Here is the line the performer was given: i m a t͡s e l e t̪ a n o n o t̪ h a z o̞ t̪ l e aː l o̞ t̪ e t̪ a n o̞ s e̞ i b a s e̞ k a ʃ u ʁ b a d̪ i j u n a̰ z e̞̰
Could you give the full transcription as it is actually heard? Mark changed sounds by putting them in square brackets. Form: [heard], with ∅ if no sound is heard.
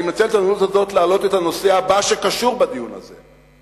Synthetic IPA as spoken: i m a t͡s e l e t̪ a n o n [u] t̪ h a z o̞ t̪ l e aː l o̞ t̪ e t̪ a n o̞ s e̞ [a] b a [ʃ] e̞ k a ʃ u ʁ b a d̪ i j u n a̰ z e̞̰